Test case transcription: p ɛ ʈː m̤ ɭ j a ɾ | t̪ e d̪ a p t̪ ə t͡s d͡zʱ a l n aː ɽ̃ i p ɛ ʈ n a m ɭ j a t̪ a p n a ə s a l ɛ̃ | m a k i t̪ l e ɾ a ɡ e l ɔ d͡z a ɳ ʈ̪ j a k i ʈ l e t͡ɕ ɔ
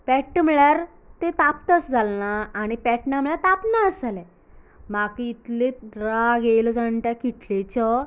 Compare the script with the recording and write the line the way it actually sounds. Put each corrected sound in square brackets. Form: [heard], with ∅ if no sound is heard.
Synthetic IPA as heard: p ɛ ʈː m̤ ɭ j a ɾ | t̪ e [t̪] a p t̪ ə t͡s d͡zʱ a l n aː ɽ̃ i p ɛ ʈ n a m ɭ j a t̪ a p n a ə s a l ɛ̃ | m a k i t̪ l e ɾ a ɡ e l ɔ d͡z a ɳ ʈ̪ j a k i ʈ l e t͡ɕ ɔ